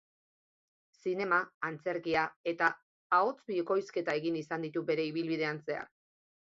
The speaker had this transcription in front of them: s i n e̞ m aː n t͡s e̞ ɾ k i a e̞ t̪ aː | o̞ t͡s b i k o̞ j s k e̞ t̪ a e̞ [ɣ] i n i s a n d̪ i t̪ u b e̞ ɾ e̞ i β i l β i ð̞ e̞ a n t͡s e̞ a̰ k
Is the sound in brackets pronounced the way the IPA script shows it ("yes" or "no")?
yes